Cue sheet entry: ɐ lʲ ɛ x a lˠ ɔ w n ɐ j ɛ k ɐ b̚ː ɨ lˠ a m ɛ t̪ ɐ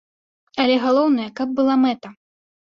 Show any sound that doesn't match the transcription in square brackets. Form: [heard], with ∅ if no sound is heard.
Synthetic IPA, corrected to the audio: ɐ lʲ ɛ [ɣ] a lˠ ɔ w n ɐ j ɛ k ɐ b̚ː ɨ lˠ a m ɛ t̪ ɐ